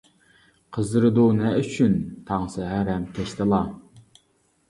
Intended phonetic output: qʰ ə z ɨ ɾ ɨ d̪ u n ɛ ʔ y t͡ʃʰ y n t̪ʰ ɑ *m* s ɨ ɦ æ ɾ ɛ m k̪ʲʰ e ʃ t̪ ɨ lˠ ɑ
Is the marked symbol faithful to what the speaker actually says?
no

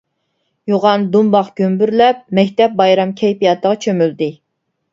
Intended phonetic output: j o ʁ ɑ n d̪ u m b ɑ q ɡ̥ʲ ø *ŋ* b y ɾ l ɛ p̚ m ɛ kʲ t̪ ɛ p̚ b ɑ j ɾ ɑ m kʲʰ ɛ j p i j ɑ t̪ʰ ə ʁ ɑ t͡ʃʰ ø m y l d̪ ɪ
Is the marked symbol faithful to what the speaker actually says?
no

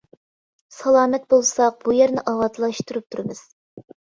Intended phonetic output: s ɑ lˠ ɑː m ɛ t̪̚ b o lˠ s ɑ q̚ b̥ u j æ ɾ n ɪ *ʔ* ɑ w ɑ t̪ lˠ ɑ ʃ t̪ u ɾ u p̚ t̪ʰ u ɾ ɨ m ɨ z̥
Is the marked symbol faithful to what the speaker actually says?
yes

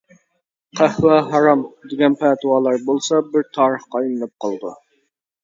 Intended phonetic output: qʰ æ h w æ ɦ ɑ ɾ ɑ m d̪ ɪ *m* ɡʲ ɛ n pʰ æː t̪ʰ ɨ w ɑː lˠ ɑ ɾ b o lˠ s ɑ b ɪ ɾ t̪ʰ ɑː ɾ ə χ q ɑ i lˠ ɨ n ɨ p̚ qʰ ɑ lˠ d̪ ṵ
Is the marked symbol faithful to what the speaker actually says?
no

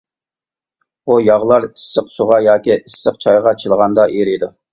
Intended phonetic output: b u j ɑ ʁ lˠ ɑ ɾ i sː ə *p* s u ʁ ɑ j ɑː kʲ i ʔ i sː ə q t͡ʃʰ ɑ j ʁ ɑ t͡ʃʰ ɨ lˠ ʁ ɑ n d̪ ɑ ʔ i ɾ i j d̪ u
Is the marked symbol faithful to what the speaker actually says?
no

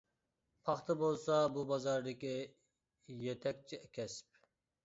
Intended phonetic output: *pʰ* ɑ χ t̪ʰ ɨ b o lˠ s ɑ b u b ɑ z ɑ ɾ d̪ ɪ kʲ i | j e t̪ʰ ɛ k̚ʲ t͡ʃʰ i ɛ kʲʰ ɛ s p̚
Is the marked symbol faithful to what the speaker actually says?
yes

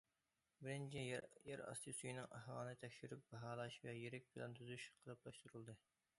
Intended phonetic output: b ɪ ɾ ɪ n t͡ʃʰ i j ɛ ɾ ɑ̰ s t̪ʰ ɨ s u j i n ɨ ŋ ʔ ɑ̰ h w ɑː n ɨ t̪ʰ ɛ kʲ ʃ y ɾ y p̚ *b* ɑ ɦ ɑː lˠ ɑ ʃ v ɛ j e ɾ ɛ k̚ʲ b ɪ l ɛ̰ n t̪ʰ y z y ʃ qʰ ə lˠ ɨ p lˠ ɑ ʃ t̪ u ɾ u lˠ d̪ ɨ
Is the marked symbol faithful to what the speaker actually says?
yes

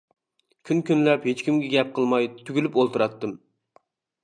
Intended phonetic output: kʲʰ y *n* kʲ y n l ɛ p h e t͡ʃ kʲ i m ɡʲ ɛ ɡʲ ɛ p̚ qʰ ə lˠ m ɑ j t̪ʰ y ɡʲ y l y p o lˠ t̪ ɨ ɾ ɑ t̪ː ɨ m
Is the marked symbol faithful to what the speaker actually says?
yes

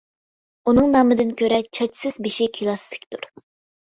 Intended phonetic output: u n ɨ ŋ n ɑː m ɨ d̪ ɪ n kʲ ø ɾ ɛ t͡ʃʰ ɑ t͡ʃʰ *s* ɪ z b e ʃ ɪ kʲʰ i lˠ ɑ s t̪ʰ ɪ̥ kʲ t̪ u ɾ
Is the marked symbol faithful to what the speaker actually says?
yes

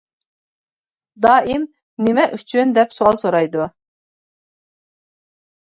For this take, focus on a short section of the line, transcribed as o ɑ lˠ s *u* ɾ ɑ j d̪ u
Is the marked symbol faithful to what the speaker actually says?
no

